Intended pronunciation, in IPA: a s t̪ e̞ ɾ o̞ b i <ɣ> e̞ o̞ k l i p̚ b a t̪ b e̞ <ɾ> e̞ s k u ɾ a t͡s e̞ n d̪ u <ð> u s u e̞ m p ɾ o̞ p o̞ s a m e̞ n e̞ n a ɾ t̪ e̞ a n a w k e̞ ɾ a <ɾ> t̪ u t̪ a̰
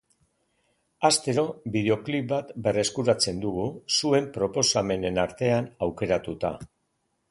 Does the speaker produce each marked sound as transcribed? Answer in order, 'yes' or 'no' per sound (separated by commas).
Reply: no, no, no, no